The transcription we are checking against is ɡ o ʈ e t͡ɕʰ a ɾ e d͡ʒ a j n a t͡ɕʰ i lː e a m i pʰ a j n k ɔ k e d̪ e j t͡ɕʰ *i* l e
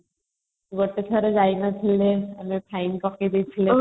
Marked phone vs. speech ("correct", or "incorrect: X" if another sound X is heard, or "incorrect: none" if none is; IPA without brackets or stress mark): correct